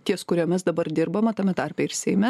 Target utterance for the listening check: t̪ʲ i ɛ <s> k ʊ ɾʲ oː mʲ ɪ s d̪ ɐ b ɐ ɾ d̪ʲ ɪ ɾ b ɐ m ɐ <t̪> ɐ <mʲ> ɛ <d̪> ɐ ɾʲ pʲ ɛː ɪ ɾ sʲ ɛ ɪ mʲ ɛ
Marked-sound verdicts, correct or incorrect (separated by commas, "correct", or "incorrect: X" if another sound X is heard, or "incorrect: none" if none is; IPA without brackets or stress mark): correct, correct, correct, incorrect: t̪